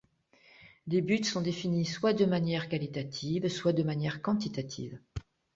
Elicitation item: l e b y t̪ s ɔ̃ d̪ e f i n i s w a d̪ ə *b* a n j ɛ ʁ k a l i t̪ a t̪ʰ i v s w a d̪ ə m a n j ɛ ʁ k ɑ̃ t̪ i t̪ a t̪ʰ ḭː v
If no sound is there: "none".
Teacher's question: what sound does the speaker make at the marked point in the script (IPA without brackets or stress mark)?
m